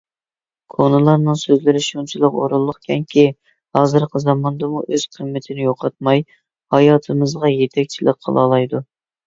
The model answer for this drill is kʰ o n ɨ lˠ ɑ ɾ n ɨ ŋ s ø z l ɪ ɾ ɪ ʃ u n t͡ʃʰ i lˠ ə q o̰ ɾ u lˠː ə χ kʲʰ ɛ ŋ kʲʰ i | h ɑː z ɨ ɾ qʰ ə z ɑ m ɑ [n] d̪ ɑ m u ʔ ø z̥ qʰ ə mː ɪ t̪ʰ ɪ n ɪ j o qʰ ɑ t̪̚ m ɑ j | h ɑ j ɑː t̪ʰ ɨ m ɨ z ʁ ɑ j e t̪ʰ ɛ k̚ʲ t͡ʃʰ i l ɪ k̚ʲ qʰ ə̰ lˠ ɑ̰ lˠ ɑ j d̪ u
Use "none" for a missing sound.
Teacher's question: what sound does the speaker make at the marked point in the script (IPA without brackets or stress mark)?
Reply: n